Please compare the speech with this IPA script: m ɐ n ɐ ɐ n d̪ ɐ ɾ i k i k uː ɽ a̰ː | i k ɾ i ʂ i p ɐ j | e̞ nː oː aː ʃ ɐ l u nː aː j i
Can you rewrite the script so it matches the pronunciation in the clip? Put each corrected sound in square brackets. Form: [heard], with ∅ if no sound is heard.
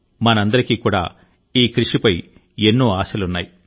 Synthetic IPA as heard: m ɐ n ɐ ɐ n d̪ ɐ ɾ i k i k uː ɽ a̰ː | [iː] k ɾ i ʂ i p ɐ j | e̞ nː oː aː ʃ ɐ l u nː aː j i